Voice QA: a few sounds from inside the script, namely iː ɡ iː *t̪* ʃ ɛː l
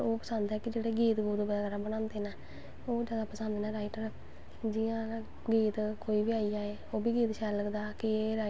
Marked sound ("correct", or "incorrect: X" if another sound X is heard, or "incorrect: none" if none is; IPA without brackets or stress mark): correct